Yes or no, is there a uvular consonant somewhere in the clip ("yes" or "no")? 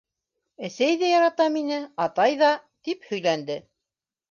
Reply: no